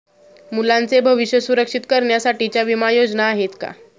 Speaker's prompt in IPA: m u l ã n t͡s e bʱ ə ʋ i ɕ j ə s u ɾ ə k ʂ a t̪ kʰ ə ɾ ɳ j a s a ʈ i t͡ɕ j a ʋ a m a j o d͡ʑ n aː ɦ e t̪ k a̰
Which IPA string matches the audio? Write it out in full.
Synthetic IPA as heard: m u l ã n t͡s e bʱ ə ʋ i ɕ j ə s u ɾ ə k ʂ i t̪ k ə ɾ ɳ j a s a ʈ i t͡ɕ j a ʋ i m a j o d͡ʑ n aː ɦ e t̪ k a̰